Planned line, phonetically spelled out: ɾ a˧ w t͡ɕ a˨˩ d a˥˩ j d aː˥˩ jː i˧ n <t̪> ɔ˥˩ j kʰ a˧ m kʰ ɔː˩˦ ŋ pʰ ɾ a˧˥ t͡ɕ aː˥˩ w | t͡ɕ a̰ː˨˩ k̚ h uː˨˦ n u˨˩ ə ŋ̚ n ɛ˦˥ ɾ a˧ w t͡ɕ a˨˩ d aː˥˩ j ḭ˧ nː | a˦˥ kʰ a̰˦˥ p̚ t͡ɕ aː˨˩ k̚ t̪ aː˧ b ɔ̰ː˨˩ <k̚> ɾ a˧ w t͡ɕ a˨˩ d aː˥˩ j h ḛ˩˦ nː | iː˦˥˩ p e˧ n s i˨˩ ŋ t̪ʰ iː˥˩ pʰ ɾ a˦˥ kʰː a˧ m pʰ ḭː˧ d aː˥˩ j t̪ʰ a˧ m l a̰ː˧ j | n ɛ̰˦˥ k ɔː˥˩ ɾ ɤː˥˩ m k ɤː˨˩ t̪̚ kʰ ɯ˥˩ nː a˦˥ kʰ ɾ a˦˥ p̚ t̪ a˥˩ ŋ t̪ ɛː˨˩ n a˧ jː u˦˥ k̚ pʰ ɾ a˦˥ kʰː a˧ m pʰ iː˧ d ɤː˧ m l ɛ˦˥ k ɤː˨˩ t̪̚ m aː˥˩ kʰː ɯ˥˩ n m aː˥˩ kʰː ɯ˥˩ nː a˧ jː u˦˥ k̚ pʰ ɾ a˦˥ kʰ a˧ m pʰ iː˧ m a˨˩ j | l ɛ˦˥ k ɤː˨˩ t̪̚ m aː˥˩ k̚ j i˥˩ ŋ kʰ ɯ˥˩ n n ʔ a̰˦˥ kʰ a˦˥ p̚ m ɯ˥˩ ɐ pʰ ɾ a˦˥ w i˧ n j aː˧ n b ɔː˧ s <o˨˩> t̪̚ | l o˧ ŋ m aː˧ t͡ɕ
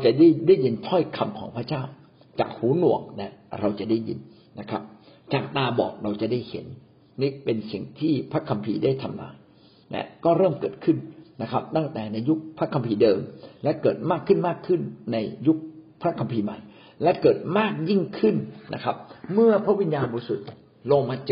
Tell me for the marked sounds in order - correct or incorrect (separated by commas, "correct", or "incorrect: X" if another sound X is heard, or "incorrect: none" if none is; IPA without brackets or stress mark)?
incorrect: t̪ʰ, correct, incorrect: u˨˩